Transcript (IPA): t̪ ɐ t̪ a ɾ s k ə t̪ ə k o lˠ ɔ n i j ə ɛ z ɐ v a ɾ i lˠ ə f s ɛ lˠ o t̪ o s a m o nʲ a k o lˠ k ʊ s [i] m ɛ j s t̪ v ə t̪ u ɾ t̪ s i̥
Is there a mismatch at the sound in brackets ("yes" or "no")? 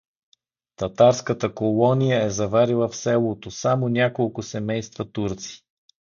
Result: yes